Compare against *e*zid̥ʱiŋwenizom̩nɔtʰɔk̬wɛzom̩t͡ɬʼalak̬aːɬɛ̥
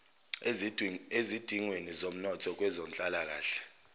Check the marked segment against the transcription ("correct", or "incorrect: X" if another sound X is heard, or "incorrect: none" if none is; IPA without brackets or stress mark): correct